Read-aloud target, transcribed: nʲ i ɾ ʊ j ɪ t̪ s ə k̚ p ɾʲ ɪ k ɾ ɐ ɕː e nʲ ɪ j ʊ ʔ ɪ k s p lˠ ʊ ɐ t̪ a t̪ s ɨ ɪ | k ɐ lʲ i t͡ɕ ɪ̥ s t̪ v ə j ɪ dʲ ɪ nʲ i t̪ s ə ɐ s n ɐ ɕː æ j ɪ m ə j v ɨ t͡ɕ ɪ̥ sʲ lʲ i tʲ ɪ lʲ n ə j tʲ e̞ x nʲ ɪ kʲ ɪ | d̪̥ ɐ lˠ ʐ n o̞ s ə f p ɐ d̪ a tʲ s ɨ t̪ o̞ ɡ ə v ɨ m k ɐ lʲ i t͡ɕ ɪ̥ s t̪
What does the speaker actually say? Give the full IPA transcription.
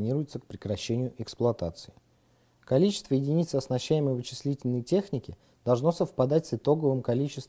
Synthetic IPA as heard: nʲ i ɾ ʊ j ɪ t̪ s ə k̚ p ɾʲ ɪ k ɾ ɐ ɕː e nʲ ɪ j ʊ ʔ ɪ k s p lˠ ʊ ɐ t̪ a t̪ s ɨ ɪ | k ɐ lʲ i t͡ɕ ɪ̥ s t̪ v ə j ɪ dʲ ɪ nʲ i t̪ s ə ɐ s n ɐ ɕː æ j ɪ m ə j v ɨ t͡ɕ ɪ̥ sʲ lʲ i tʲ ɪ lʲ n ə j tʲ e̞ x nʲ ɪ kʲ ɪ | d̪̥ ɐ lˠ ʐ n o̞ s ə f p ɐ d̪ a tʲ s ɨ t̪ o̞ ɡ ə v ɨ m k ɐ lʲ i t͡ɕ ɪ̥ s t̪